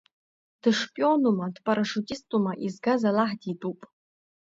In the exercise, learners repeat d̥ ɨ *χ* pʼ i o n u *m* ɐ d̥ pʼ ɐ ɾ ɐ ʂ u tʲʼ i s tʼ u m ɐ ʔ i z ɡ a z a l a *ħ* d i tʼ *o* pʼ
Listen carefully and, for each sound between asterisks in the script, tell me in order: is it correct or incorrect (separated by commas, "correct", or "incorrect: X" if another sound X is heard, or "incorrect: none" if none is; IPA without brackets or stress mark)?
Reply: incorrect: ʂ, correct, correct, incorrect: u